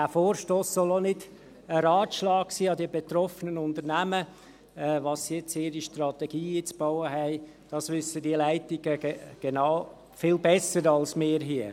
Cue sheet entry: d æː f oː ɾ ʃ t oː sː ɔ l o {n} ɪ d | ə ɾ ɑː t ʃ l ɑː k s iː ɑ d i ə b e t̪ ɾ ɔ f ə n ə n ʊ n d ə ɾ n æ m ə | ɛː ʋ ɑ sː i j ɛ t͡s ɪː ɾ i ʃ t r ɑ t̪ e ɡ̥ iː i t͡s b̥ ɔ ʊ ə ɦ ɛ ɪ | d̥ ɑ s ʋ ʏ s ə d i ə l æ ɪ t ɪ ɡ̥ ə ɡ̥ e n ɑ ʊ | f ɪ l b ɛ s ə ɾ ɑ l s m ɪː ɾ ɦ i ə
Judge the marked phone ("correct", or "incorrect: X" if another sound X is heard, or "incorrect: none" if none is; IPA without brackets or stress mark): correct